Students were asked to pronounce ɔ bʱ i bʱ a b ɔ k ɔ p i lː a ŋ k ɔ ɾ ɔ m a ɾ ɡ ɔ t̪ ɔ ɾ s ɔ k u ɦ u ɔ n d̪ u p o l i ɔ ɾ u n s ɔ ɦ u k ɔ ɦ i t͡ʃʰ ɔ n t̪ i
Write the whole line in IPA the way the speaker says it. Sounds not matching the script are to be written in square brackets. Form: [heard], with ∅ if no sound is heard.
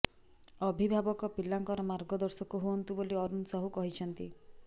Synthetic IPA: ɔ bʱ i bʱ a b ɔ k ɔ p i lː a ŋ k ɔ ɾ ɔ m a ɾ ɡ ɔ [d̪] ɔ ɾ s ɔ k u ɦ u ɔ n [t̪] u [b] o l i ɔ ɾ u n s ɔ ɦ u k ɔ ɦ i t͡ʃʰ ɔ n t̪ i